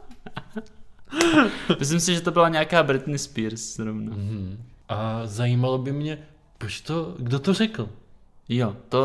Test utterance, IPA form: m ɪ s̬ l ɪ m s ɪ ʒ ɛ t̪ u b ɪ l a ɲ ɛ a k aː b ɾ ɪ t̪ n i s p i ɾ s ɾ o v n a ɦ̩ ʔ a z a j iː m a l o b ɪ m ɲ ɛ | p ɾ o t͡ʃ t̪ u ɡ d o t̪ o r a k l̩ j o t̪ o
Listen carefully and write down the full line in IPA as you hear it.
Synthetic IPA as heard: m ɪ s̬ l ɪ m s ɪ ʒ ɛ t̪ o b ɪ l a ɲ ɛ a k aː b ɾ ɪ t̪ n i s p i ɾ s ɾ o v n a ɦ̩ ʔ a z a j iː m a l o b ɪ m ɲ ɛ | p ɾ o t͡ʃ t̪ o ɡ d o t̪ o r ɛ k l̩ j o t̪ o